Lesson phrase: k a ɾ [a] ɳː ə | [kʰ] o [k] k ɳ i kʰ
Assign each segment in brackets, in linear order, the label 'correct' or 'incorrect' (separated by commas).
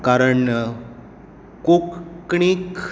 incorrect, incorrect, correct